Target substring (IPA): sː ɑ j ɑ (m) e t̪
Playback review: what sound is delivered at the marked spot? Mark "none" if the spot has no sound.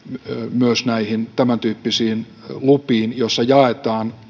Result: none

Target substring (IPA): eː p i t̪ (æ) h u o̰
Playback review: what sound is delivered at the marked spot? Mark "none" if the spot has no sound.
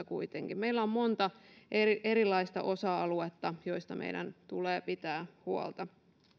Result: æː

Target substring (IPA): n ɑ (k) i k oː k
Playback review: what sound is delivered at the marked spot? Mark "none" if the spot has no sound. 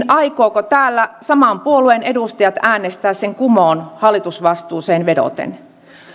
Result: none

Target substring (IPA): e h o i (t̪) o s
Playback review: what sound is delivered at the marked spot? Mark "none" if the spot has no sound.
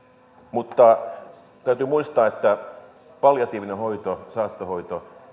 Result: t̪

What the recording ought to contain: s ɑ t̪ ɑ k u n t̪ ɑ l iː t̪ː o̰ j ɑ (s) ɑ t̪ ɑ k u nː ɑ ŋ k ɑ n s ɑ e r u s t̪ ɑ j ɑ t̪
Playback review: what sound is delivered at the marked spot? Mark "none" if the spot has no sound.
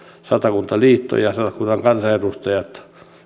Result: s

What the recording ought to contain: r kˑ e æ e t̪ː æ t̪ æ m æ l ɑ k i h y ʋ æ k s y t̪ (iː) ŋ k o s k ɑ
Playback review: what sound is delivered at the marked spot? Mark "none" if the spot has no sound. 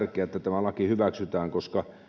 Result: æː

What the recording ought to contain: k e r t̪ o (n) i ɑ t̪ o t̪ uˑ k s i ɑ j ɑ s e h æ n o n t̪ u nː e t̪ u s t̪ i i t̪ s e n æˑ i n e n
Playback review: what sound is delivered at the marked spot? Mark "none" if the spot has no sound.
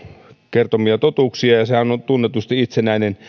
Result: m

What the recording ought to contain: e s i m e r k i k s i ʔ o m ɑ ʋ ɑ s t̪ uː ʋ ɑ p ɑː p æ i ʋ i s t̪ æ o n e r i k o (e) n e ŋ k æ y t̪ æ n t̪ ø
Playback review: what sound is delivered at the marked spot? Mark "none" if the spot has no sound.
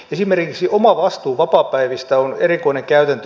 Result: i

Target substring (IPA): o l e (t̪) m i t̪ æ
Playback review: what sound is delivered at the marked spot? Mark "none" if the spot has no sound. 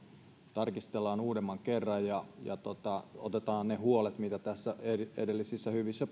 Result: t̪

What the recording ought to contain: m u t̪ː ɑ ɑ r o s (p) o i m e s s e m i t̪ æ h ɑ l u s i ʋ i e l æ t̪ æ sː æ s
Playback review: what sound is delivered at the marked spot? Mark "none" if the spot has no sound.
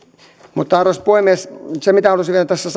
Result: p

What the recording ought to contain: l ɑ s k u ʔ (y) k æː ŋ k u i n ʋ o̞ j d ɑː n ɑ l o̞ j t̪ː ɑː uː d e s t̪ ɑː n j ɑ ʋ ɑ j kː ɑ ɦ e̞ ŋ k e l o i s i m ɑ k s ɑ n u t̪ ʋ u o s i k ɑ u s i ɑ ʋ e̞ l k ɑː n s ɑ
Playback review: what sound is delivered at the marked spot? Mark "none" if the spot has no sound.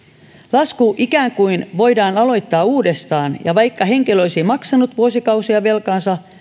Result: i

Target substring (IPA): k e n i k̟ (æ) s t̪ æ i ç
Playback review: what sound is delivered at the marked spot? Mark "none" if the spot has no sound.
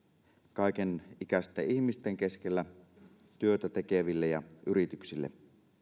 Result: æ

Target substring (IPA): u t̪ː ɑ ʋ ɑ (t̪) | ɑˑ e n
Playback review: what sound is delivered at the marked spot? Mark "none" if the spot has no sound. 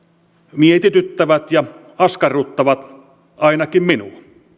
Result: t̪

